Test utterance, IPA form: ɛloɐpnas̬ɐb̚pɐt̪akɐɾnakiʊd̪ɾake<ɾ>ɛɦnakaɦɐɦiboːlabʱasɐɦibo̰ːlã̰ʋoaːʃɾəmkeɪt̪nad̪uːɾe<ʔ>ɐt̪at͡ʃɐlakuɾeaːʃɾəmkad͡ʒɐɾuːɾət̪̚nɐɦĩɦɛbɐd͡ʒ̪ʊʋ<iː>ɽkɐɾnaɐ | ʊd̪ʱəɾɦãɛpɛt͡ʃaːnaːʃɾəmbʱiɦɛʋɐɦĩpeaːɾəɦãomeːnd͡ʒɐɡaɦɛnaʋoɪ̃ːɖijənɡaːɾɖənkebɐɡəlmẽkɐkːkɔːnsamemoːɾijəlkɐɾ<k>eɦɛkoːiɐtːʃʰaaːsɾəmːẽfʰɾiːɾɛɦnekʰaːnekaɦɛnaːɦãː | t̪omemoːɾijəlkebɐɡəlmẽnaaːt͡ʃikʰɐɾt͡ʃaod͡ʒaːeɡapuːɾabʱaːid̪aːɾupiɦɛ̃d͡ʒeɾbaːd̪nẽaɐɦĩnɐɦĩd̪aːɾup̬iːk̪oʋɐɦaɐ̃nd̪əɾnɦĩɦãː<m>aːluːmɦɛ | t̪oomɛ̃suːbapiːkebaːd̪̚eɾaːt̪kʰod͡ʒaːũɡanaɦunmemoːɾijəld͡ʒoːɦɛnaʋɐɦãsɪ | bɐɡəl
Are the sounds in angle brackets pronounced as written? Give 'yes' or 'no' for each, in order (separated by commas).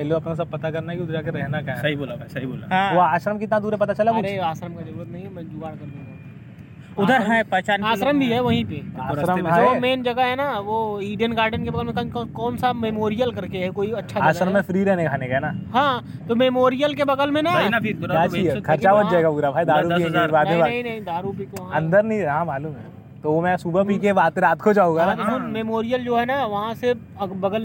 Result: yes, no, no, yes, yes